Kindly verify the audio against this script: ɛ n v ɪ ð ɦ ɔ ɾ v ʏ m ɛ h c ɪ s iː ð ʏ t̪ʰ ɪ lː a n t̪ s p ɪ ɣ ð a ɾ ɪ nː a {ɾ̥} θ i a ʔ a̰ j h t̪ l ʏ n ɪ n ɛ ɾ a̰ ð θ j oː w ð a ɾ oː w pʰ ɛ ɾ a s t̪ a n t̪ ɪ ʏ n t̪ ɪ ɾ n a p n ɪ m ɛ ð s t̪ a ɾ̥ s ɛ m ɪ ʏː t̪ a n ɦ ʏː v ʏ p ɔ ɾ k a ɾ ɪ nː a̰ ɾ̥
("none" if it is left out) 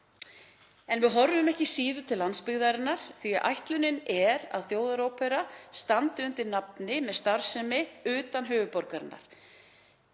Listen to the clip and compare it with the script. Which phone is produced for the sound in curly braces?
ɾ̥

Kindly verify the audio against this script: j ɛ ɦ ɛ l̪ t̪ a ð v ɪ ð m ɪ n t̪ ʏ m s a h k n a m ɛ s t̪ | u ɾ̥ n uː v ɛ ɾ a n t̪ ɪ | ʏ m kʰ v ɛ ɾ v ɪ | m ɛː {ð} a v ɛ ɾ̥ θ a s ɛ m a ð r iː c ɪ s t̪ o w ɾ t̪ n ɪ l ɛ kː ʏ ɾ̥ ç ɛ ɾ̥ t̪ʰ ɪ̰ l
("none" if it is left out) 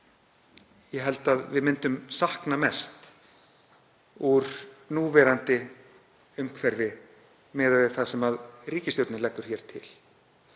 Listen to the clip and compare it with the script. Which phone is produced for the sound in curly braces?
ð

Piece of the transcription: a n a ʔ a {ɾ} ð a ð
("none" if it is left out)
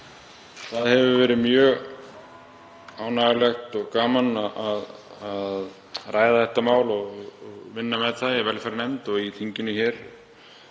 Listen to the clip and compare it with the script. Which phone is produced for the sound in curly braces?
none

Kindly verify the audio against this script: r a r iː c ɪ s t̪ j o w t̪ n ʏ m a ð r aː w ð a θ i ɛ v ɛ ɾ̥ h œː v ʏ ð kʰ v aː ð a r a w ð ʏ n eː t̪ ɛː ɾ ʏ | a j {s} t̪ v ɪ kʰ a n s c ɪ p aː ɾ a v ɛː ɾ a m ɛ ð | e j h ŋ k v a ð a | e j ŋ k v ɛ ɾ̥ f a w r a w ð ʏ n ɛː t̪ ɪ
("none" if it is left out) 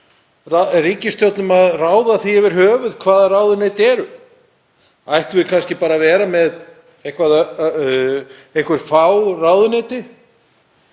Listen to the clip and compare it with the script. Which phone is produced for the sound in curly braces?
h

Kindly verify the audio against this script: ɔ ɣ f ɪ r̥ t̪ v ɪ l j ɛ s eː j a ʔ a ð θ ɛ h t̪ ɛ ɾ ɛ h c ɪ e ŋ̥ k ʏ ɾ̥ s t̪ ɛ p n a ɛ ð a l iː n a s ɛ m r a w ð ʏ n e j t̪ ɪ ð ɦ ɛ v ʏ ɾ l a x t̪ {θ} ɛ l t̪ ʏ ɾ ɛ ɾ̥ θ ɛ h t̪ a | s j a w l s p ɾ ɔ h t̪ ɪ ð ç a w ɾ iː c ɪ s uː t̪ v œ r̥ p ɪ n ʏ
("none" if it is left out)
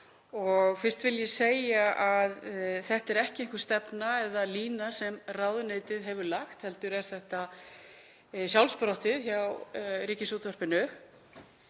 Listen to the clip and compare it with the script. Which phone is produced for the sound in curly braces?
h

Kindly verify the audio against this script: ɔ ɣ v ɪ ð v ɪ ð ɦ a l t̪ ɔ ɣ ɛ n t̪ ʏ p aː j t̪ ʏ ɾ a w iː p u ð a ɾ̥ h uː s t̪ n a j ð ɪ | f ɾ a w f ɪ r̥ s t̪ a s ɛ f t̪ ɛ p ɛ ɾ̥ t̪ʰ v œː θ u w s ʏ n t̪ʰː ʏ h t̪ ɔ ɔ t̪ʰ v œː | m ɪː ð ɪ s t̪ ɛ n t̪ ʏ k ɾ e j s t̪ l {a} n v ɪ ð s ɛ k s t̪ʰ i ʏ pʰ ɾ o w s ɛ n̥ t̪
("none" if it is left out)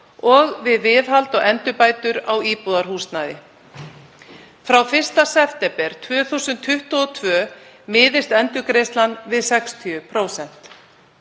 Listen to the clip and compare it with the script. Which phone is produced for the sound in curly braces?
a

